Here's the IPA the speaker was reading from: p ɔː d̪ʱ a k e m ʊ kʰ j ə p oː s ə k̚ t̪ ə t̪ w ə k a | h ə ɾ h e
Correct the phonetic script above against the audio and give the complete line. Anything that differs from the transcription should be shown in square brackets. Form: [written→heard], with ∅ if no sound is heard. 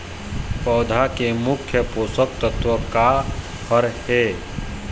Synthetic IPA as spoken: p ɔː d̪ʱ a k e m ʊ kʰ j ə p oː s ə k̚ t̪ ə t̪ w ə k a | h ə ɾ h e